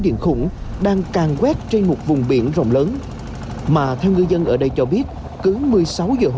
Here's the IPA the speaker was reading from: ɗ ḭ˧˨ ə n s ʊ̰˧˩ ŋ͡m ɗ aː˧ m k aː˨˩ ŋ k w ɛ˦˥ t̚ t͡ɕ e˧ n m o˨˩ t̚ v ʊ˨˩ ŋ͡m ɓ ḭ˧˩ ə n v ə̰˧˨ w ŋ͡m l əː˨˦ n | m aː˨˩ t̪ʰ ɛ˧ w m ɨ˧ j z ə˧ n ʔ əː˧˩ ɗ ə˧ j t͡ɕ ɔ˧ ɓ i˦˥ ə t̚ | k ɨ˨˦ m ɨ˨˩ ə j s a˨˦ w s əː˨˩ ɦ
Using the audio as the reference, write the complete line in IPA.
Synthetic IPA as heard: ɗ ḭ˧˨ ə n x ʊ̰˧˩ ŋ͡m ɗ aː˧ ŋ k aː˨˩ ŋ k w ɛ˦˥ t̚ t͡ɕ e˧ n m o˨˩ t̚ v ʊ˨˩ ŋ͡m ɓ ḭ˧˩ ə n z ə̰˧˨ w ŋ͡m l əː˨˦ n | m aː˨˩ t̪ʰ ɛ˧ w ŋ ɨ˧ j z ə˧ n ʔ əː˧˩ ɗ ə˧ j t͡ɕ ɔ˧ ɓ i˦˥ ə t̚ | k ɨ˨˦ m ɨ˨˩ ə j s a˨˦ w z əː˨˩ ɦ